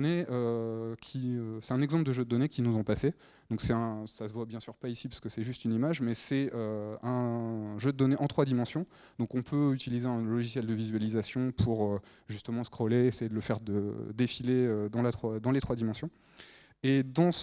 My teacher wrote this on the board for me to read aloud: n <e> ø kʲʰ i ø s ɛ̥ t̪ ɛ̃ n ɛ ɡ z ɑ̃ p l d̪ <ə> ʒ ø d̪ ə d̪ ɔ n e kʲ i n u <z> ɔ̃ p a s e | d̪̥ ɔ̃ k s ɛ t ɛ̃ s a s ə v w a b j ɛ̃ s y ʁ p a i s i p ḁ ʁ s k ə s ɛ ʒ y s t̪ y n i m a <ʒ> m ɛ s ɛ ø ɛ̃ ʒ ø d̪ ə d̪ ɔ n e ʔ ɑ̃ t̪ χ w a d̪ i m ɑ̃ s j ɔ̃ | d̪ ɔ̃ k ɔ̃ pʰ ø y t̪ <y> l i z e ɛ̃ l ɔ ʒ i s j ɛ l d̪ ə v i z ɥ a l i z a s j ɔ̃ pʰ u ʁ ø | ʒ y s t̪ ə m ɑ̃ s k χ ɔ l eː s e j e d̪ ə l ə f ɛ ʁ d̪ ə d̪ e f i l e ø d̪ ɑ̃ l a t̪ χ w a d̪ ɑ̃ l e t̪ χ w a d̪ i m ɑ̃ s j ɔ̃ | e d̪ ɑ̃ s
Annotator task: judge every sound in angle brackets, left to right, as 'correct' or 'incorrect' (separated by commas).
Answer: correct, correct, correct, correct, incorrect